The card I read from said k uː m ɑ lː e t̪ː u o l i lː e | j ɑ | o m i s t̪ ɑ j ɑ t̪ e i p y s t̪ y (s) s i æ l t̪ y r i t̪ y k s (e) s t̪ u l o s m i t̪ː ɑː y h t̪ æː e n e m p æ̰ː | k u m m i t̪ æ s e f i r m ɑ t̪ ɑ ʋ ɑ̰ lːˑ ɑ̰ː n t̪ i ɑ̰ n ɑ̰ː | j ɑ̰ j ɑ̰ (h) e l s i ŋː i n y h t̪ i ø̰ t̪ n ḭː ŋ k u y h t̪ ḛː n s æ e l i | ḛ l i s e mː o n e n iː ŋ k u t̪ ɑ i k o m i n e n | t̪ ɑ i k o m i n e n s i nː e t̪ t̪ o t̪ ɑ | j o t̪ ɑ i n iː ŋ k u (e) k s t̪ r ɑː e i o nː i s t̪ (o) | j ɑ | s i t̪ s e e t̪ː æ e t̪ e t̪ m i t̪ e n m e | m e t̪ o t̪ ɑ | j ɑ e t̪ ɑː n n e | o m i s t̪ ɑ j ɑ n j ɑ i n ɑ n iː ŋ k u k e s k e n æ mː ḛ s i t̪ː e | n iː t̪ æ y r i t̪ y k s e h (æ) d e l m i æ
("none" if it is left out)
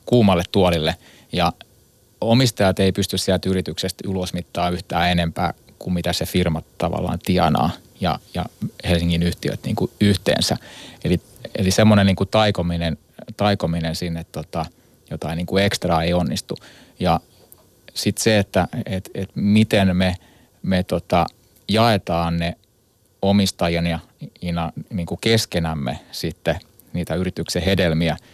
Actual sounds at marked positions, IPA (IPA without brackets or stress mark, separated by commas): s, e, h, e, u, e